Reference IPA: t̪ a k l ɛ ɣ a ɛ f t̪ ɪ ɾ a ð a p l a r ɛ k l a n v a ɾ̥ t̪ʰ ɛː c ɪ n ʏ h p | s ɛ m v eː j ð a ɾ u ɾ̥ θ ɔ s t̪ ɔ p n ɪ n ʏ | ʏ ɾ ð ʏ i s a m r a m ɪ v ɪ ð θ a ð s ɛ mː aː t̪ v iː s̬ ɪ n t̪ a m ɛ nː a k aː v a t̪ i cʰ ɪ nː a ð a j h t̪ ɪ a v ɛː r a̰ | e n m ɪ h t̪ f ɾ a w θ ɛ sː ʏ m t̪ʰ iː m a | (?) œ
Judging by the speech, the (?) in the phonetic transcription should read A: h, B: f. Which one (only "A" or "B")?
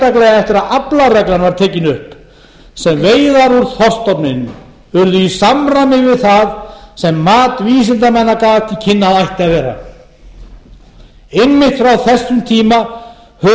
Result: A